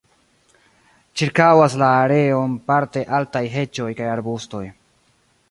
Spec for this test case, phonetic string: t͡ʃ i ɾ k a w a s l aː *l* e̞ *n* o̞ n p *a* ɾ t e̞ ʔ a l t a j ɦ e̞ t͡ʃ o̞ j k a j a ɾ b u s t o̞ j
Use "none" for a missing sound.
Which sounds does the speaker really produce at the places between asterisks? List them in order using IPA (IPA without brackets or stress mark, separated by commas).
ɾ, none, a